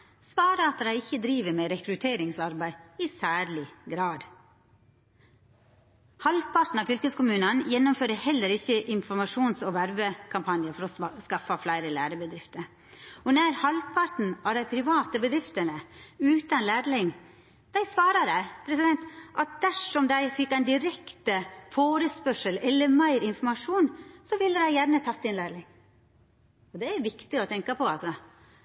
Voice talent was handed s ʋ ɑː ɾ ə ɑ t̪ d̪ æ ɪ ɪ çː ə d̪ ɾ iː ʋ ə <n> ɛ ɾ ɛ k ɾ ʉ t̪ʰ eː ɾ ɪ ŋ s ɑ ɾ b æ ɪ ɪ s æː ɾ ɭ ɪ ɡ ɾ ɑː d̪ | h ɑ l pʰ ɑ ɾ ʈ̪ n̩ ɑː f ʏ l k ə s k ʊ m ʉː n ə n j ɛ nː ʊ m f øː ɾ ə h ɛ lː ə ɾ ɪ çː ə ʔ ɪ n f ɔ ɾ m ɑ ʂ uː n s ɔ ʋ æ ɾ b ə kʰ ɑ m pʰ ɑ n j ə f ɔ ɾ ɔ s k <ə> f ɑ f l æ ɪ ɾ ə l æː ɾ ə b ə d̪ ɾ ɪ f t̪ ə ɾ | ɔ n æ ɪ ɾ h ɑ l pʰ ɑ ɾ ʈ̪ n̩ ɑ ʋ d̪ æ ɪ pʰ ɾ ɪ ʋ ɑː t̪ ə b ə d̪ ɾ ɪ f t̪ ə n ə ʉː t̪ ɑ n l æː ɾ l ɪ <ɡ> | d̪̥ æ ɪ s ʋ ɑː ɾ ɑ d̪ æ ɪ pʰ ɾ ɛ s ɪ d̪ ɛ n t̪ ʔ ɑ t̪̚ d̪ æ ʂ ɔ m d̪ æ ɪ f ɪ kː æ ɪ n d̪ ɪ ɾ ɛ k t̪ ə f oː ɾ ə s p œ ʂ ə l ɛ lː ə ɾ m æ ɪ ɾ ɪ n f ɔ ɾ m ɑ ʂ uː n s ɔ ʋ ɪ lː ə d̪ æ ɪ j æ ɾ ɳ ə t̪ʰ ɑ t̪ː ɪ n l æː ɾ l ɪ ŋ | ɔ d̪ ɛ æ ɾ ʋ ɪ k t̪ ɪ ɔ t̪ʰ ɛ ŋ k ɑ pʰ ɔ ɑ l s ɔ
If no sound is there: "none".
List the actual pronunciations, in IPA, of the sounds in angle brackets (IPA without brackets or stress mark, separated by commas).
m, ɑ, ŋ